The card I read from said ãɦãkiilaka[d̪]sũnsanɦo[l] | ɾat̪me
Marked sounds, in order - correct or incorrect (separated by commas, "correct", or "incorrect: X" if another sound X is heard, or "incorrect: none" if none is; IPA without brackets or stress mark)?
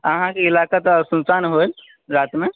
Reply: incorrect: t̪, correct